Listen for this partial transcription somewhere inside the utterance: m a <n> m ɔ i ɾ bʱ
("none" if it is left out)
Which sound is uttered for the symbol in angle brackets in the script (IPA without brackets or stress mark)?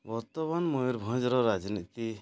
n